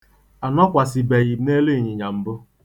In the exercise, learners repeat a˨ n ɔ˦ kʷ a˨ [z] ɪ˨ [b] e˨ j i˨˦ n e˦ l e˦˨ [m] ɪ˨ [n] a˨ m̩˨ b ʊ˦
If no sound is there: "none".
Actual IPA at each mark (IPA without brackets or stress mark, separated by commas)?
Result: s, b, ɲ, ɲ